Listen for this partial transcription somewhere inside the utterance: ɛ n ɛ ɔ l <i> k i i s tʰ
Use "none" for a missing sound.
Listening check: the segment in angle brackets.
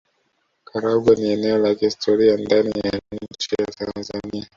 a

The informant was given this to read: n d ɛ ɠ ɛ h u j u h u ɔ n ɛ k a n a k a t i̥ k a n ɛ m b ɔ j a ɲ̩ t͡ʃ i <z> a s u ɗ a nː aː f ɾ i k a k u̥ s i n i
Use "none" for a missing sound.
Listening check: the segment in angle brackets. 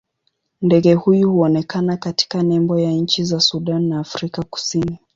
z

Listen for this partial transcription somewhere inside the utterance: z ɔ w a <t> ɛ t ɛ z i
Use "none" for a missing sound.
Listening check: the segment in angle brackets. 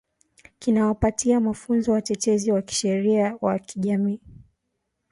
t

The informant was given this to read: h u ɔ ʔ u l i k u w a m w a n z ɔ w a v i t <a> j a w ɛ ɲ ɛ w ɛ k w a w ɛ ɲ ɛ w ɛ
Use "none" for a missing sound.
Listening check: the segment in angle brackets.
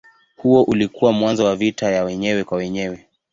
a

